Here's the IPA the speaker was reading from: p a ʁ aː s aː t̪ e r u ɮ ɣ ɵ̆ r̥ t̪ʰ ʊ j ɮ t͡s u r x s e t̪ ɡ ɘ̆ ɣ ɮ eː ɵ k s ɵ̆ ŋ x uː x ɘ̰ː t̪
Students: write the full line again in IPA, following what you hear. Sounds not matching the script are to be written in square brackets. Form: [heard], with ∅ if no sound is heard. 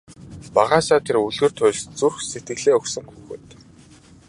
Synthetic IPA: p a ʁ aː s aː [t̪ʰ] e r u ɮ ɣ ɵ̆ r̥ t̪ʰ ʊ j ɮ t͡s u r x s e t̪ ɡ ɘ̆ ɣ ɮ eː ɵ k s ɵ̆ ŋ x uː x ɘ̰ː t̪